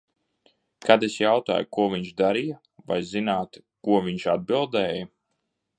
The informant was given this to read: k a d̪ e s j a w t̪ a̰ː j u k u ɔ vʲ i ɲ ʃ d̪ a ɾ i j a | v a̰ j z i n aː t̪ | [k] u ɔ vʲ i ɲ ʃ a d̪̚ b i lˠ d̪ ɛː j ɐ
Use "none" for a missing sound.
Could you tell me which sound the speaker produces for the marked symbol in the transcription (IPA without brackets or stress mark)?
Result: k